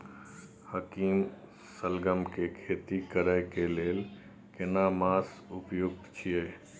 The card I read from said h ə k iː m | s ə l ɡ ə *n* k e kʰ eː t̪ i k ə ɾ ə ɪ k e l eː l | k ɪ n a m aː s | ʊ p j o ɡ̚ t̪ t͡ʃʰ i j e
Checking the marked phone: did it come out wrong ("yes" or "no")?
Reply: yes